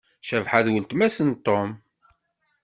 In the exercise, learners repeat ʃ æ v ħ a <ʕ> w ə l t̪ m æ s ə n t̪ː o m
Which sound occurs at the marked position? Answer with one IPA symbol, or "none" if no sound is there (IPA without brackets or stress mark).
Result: ð